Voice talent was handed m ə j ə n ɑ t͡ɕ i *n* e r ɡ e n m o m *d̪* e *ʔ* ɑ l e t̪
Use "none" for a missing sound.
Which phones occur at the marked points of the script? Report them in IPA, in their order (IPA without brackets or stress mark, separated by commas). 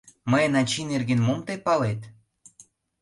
n, t̪, p